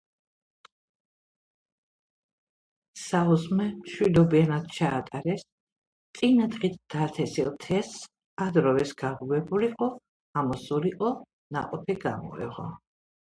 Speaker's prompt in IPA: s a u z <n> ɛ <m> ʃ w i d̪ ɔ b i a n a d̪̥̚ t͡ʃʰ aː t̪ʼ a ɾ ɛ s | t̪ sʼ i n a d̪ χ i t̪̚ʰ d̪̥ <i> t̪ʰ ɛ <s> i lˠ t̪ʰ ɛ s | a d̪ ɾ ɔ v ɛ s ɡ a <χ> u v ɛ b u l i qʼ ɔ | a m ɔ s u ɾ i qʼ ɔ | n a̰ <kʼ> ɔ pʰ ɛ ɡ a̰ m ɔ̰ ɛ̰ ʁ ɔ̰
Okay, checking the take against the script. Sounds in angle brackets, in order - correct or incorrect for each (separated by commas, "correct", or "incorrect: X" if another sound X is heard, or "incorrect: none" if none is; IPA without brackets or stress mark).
incorrect: m, correct, incorrect: a, correct, incorrect: ʁ, incorrect: qʼ